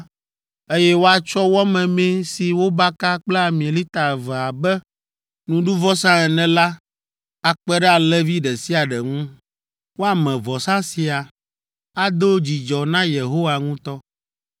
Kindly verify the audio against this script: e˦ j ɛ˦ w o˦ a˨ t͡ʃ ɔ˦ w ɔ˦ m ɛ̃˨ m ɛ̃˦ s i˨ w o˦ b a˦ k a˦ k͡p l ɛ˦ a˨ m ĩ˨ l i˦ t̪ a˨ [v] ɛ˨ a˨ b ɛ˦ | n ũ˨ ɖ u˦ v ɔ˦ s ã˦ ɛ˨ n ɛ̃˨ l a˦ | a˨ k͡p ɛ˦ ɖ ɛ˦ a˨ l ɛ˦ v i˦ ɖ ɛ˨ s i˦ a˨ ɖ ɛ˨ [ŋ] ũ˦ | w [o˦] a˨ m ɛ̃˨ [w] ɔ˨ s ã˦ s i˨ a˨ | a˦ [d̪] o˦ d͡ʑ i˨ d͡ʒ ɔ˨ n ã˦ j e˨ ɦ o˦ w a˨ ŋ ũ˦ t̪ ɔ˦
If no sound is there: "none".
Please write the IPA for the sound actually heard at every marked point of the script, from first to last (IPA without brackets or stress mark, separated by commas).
v, ŋ, o˦, v, d̪